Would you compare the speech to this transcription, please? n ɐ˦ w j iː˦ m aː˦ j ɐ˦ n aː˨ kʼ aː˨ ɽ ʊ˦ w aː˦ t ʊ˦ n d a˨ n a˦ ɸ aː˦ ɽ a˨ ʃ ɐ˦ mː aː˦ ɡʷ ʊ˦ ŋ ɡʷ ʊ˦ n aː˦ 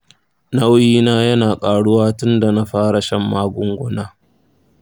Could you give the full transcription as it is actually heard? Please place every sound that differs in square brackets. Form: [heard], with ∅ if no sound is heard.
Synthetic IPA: n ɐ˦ w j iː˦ [n] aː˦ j ɐ˦ n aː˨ kʼ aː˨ ɽ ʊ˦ w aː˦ t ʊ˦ n d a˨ n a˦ ɸ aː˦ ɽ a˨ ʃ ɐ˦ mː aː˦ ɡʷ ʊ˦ ŋ ɡʷ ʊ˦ n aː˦